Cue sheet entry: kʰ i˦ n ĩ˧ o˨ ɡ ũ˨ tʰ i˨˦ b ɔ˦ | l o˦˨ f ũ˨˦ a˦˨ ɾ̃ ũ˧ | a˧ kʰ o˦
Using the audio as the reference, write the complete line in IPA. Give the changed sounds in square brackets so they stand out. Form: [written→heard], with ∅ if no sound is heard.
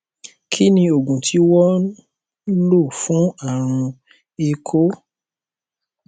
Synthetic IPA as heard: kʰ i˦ n ĩ˧ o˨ ɡ ũ˨ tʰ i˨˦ [b→w] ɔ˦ | l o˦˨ f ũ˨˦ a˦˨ ɾ̃ ũ˧ | [a˧→e˧] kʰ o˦